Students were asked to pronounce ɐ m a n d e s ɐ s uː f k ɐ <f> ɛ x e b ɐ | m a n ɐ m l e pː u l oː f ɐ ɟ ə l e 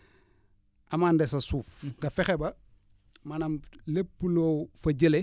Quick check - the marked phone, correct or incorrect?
correct